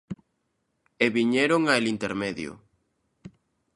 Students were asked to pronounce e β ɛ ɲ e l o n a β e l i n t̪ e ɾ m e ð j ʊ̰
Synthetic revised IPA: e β i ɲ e ɾ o ŋ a e l i n t̪ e ɾ m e ð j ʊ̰